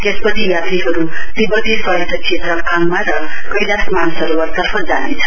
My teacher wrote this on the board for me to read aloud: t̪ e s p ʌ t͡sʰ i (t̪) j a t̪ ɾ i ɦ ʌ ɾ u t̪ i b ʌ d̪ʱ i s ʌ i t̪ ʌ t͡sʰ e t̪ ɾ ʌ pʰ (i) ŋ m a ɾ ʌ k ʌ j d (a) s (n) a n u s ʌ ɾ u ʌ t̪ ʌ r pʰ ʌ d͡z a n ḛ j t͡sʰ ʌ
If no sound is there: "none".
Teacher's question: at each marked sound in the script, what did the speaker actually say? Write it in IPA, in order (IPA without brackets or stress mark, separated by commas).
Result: none, a, a, m